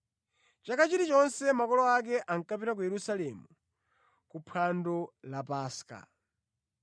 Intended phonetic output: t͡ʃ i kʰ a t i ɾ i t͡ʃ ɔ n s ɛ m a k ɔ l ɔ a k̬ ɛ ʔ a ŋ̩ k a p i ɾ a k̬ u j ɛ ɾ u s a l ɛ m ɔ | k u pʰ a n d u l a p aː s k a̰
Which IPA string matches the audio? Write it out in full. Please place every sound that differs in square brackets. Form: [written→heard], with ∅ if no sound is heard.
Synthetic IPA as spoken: t͡ʃ [i→a] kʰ a [t→t͡ʃ] i ɾ i t͡ʃ ɔ n s ɛ m a k ɔ l ɔ a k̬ ɛ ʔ a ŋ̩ k a p i ɾ a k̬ u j ɛ ɾ u s a l ɛ m [ɔ→u] | k u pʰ a n d [u→ɔ] l a p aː s k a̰